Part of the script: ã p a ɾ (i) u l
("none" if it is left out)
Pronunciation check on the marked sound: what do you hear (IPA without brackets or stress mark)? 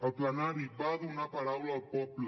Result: a